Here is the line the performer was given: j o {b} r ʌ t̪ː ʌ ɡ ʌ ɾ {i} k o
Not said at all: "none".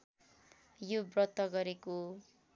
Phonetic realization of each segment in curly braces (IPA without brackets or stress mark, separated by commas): b, e